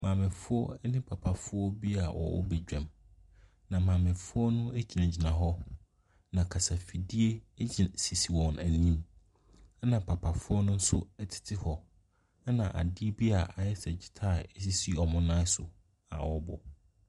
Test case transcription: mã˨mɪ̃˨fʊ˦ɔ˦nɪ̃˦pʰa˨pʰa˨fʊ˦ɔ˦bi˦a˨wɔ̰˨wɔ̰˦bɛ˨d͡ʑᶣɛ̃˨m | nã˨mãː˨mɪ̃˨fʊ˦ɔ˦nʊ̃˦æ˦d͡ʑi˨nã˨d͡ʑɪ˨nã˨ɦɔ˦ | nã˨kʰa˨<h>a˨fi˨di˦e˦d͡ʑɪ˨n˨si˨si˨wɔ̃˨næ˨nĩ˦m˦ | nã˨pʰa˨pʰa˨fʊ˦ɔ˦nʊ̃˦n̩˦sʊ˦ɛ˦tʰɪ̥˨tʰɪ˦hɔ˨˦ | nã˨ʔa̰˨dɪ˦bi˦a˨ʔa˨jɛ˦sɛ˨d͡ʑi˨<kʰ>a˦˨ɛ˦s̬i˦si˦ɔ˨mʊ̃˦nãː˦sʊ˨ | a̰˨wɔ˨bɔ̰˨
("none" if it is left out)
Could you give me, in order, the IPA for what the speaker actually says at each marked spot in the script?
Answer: s, tʰ

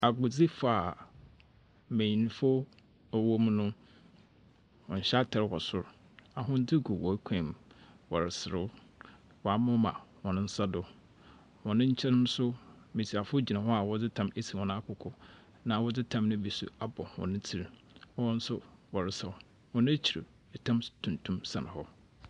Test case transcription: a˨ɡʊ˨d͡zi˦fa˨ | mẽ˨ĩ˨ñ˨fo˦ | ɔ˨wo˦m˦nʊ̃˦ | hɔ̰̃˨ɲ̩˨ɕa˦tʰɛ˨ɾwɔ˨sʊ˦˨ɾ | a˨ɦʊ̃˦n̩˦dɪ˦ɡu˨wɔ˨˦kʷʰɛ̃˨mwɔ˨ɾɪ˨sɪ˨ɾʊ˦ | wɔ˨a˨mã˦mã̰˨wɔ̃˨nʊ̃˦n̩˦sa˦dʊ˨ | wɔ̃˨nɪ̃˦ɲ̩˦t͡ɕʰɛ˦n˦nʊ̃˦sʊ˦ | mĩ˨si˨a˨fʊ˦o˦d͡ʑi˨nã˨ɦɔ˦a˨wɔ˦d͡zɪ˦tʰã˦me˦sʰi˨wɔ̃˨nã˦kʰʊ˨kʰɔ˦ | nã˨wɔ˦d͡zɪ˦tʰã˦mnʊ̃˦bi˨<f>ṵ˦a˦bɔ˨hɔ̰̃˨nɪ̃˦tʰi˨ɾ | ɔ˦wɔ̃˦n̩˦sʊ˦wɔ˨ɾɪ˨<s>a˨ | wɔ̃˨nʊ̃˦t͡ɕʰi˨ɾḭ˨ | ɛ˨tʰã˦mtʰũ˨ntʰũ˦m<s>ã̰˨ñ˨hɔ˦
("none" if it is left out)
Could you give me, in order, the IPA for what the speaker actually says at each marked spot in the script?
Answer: s, s, s

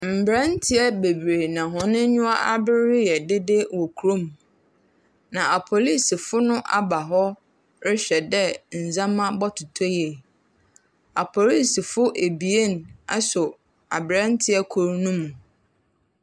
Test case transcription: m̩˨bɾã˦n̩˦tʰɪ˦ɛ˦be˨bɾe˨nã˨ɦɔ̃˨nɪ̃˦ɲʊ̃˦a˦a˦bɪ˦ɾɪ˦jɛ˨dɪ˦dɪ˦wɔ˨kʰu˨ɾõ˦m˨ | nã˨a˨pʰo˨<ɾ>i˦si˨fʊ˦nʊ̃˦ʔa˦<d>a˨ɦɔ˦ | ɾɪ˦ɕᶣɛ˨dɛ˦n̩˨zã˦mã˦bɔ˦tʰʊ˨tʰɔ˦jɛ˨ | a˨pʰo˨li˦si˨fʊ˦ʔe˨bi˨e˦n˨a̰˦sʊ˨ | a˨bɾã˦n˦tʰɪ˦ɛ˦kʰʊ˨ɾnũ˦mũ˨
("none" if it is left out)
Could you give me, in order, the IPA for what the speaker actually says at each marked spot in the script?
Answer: l, b

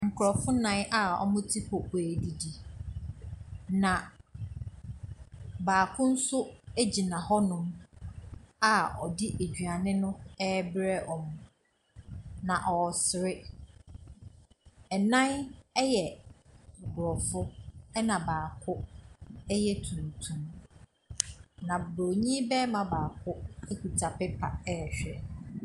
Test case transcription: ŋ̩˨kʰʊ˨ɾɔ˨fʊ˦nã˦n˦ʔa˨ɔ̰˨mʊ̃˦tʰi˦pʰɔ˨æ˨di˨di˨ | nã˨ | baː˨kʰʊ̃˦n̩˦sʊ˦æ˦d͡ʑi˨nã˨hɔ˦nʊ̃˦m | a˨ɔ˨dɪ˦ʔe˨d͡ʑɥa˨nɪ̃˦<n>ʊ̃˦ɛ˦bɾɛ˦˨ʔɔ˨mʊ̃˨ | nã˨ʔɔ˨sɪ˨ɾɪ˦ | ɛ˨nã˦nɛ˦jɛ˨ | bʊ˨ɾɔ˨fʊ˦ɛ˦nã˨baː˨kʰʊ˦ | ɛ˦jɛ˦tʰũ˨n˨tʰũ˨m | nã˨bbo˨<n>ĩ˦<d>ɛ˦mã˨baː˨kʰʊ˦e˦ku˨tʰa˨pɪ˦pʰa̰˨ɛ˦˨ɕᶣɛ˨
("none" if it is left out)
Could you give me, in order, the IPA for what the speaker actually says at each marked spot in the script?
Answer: n, ɲ, b

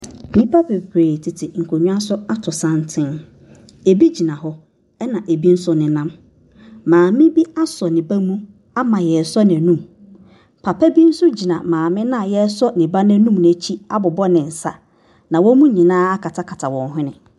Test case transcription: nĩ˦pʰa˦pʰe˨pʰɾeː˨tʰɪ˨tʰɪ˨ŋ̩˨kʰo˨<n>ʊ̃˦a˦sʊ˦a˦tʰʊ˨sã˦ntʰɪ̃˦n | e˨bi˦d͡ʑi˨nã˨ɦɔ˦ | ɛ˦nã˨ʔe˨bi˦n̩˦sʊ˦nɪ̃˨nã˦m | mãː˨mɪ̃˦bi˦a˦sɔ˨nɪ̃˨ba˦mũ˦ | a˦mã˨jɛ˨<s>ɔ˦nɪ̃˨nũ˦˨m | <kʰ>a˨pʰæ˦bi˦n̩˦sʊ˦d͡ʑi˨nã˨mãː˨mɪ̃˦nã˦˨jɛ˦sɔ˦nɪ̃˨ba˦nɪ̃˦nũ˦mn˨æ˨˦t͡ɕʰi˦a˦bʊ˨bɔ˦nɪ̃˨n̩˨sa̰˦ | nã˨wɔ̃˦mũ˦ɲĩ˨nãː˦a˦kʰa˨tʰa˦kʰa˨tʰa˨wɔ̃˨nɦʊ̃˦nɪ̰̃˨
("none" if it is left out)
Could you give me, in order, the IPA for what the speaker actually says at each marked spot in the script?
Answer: ɲ, s, pʰ

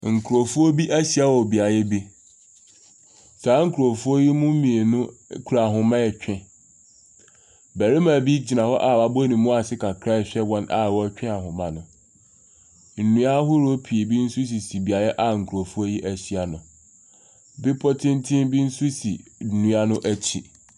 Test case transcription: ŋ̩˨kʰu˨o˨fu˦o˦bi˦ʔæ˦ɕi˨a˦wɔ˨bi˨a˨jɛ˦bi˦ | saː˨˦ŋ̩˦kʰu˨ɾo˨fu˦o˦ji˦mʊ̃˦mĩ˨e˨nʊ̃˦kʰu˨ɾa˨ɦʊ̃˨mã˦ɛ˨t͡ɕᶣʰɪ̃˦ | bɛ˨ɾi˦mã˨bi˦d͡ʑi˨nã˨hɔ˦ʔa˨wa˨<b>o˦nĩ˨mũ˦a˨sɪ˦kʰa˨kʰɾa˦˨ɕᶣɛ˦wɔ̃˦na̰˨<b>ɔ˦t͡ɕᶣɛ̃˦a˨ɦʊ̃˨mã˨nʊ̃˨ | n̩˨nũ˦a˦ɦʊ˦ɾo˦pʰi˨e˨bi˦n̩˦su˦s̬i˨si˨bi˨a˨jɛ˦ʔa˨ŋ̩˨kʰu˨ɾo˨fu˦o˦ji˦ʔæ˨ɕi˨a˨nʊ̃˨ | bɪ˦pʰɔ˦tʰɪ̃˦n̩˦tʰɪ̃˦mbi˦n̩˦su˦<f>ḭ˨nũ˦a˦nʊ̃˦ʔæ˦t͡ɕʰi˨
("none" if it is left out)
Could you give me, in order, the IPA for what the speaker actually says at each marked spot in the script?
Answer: b, w, s

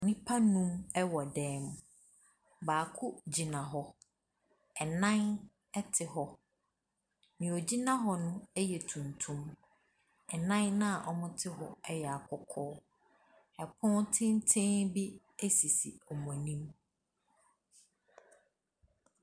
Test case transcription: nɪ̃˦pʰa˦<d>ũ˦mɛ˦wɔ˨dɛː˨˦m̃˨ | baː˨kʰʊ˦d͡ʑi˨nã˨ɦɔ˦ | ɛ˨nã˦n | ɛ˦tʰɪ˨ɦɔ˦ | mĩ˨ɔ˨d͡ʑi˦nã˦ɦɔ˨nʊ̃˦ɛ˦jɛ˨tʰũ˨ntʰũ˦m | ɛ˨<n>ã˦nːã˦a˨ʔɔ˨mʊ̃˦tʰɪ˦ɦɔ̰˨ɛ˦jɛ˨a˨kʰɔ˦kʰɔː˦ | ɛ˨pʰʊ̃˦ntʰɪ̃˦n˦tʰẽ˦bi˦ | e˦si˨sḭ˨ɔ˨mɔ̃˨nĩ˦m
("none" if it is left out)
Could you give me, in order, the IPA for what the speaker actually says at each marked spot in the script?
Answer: n, n

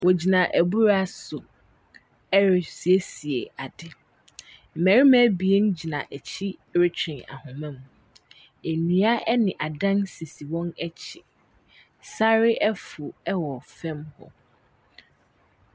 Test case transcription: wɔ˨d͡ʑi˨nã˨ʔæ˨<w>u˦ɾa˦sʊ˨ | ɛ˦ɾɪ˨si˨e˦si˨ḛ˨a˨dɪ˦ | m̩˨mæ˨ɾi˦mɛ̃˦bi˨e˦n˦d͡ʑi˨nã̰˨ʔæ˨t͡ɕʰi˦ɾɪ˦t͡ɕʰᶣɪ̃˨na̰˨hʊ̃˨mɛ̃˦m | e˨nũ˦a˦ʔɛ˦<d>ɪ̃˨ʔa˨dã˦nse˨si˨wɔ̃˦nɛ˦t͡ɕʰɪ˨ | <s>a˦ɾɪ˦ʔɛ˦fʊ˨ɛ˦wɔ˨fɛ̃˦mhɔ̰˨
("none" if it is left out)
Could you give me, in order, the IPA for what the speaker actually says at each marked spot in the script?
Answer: b, n, s

